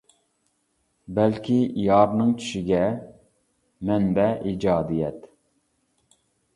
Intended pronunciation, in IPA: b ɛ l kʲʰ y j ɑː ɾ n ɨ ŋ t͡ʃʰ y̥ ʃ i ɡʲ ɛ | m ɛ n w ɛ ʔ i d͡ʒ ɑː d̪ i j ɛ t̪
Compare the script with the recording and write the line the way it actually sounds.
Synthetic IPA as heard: b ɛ l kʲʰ i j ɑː ɾ n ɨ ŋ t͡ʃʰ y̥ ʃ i ɡʲ ɛ | m ɛ n b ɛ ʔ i d͡ʒ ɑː d̪ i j ɛ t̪